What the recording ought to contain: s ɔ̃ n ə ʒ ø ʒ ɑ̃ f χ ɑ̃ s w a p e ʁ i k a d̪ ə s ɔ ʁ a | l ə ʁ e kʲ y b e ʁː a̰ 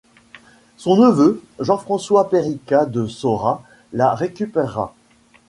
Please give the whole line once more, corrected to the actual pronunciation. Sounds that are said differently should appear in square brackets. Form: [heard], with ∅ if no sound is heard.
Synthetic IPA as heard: s ɔ̃ n ə [v] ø ʒ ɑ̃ f χ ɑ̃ s w a p e ʁ i k a d̪ ə s ɔ ʁ a | l [a] ʁ e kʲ y [p] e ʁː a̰